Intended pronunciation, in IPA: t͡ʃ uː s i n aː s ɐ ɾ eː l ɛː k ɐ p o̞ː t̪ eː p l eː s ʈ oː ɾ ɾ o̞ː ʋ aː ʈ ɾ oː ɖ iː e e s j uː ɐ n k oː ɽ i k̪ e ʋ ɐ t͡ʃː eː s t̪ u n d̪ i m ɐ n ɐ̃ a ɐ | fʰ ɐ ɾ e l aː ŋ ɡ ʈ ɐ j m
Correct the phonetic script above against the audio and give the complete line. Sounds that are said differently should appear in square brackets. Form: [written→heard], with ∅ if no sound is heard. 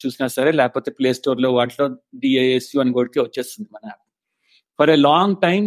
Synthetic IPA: t͡ʃ uː s i n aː s ɐ ɾ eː l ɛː k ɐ p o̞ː t̪ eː p l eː s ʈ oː ɾ [ɾ→l] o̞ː ʋ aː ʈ [ɾ→l] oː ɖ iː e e s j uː ɐ n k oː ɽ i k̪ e ʋ ɐ t͡ʃː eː s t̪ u n d̪ i m ɐ n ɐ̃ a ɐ | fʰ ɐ ɾ e l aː ŋ ɡ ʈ ɐ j m